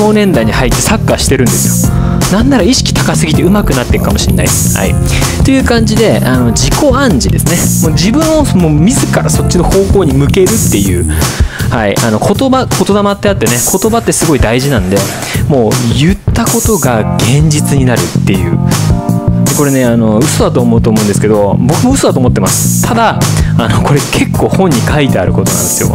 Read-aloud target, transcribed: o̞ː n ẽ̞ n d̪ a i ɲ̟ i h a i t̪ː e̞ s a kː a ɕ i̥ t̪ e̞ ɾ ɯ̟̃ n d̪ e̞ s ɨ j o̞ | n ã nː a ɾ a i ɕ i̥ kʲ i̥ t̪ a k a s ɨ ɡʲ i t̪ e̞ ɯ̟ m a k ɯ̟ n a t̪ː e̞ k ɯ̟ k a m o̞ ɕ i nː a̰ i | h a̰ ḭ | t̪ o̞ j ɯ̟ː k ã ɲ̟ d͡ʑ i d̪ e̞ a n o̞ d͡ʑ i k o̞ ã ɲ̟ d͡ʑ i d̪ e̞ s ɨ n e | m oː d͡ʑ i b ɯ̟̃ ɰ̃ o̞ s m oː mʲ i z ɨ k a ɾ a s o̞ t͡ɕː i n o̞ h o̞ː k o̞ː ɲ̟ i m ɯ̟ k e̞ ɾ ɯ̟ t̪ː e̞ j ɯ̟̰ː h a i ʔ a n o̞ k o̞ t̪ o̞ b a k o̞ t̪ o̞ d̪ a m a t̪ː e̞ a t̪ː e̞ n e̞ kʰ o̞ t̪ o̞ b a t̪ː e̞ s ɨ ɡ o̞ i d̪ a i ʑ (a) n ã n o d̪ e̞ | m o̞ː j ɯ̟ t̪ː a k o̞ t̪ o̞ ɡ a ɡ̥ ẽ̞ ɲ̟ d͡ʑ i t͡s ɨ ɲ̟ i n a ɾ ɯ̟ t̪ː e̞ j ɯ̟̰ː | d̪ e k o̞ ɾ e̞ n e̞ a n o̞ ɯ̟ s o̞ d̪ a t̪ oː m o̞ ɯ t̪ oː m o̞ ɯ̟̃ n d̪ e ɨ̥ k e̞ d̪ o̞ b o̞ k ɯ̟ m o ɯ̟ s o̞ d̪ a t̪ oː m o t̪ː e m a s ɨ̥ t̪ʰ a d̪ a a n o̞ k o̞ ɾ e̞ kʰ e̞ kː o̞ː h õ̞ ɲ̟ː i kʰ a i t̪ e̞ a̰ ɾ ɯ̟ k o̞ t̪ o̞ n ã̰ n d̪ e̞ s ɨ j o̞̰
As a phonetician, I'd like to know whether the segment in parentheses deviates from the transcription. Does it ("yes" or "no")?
yes